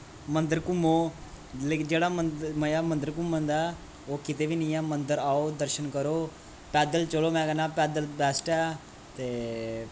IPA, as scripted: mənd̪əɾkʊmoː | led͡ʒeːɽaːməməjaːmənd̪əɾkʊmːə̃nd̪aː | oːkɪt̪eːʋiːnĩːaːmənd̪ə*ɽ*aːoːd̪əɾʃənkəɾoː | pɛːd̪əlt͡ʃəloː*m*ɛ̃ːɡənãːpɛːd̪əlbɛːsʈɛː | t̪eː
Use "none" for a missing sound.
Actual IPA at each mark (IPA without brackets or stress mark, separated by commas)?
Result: ɾ, m